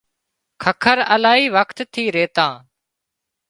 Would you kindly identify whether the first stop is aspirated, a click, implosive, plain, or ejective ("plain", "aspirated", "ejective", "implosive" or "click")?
aspirated